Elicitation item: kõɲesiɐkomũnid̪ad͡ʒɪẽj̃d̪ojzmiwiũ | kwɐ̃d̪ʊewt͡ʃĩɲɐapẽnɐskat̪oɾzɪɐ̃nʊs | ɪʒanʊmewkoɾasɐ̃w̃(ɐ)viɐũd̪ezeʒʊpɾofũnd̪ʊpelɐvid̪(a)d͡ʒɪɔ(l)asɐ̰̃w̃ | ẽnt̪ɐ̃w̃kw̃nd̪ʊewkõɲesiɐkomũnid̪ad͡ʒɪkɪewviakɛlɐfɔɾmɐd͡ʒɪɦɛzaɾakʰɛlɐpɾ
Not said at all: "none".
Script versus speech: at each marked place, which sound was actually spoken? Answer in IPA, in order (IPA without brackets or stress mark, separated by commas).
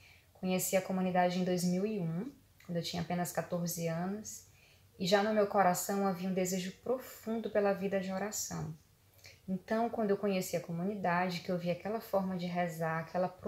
a, ɐ, ɾ